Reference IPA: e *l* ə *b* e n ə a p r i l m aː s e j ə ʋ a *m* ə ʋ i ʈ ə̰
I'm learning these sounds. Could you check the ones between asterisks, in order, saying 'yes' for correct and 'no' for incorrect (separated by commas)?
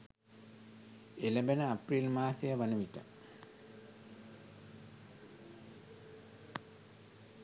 yes, yes, no